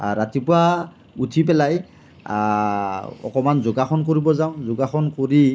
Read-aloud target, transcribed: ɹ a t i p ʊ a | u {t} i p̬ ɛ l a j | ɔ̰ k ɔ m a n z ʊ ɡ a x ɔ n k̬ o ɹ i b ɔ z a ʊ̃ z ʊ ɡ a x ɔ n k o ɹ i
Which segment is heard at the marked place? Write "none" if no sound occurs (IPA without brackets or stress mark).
tʰ